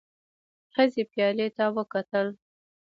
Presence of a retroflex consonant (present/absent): absent